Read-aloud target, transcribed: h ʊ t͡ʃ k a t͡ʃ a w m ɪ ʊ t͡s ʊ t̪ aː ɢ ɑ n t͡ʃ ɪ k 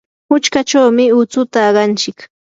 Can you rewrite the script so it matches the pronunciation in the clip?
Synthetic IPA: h ʊ t͡ʃ k a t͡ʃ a w m ɪ ʊ t͡s ʊ t̪ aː ɢ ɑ n t͡ʃ ɪ k